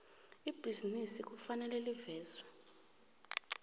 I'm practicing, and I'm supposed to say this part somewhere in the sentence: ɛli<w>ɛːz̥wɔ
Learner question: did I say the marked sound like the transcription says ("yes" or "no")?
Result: no